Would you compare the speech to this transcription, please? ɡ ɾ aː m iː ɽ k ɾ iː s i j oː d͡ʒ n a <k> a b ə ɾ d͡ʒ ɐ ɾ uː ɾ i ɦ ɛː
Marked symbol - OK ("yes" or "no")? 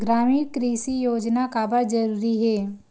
yes